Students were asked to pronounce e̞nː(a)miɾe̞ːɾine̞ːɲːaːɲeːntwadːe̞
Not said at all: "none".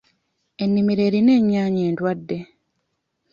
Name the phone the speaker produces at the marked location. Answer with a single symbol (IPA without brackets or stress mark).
i